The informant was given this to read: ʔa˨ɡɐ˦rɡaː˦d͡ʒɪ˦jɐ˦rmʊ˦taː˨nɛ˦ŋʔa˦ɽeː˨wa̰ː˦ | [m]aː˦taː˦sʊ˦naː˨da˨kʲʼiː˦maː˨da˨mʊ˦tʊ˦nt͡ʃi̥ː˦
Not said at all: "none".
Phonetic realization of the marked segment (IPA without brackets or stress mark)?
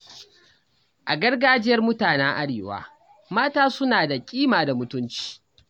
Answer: m